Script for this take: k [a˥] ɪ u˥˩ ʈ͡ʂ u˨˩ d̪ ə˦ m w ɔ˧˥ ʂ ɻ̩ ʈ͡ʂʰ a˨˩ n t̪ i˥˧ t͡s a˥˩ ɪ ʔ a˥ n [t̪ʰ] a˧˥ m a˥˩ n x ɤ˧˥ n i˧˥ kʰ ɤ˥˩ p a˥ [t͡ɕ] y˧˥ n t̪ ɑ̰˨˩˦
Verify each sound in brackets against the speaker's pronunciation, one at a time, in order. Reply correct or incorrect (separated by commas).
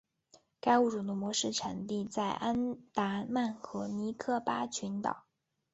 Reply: correct, incorrect, incorrect